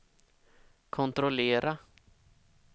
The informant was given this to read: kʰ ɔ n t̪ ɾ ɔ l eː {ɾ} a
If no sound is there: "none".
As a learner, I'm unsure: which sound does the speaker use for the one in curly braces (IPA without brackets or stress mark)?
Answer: ɾ